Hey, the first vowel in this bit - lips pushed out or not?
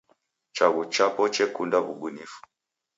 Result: no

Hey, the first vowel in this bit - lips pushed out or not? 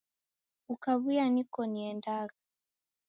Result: yes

